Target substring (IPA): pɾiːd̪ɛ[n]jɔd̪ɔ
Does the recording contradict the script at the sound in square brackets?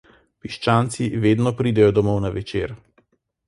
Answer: yes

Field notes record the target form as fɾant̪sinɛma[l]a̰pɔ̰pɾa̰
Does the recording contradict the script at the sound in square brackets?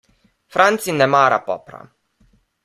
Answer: yes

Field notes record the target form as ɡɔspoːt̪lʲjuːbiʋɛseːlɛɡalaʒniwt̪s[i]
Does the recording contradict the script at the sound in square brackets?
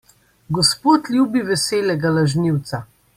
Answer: yes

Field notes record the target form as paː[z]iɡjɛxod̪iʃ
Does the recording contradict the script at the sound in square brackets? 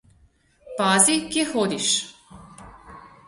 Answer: no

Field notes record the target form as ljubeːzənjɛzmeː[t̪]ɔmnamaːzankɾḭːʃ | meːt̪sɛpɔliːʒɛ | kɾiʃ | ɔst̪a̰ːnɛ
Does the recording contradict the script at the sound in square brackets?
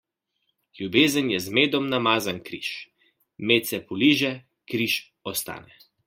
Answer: yes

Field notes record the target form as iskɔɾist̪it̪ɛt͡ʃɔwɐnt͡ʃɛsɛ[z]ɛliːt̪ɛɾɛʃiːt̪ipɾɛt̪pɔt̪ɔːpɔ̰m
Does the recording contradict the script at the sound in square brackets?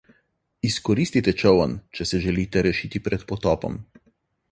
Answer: yes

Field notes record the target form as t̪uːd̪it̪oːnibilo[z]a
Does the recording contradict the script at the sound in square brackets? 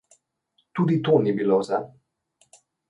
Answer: no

